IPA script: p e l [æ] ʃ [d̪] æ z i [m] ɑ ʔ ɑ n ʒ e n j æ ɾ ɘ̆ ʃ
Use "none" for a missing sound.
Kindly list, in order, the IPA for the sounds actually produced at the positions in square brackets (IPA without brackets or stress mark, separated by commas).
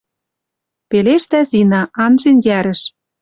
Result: e, t̪, n